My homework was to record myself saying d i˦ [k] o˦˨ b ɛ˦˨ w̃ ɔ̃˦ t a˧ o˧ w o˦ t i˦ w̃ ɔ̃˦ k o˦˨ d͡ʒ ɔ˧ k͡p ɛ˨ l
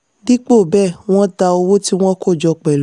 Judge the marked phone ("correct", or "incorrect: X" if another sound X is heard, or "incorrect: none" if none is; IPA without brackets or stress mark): incorrect: k͡p